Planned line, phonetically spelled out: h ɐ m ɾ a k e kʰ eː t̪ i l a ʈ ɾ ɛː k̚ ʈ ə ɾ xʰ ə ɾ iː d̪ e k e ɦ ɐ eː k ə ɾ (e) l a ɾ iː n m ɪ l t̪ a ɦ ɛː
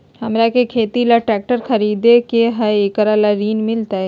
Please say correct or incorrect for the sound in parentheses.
incorrect